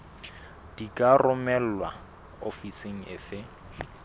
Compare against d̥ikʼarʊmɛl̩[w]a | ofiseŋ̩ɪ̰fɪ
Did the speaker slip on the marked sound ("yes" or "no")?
no